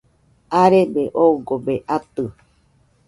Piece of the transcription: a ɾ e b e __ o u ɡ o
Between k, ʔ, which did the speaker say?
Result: ʔ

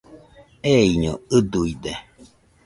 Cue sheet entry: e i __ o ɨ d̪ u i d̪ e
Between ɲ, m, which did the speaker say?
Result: ɲ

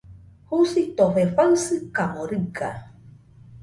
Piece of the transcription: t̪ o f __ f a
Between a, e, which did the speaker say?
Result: e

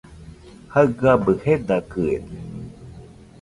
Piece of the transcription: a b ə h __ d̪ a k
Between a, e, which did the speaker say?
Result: e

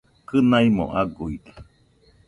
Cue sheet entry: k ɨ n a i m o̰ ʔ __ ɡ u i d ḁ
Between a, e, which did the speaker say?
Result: a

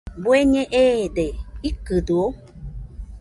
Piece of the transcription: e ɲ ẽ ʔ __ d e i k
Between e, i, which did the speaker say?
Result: e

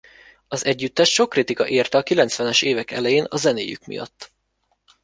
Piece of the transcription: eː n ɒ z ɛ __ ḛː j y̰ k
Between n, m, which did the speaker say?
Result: n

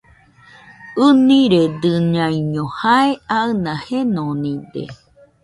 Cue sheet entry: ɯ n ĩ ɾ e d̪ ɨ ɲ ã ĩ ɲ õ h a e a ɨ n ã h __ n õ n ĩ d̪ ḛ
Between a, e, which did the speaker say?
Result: e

